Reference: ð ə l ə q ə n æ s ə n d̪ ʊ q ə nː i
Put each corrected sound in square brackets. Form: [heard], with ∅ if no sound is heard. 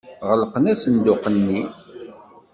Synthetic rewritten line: [ʁ] ə l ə q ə n æ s ə n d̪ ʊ q ə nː i